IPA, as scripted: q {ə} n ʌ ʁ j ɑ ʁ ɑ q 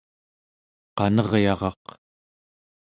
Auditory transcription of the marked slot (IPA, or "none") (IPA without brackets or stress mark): ɑ